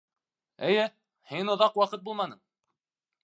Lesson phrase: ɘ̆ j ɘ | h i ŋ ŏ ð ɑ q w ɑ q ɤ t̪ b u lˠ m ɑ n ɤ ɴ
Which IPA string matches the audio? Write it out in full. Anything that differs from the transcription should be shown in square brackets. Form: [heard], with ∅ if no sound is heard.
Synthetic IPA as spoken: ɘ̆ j ɘ | h i [n] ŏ ð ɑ q w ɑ q ɤ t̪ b u lˠ m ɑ n ɤ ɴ